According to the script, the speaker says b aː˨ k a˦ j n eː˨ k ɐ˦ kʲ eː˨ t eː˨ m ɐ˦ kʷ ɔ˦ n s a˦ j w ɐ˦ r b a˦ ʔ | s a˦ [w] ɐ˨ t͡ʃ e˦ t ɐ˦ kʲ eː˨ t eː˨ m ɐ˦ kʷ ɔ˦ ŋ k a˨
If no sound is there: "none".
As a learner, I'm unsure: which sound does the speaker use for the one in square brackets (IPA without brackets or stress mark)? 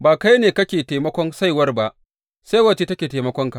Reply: w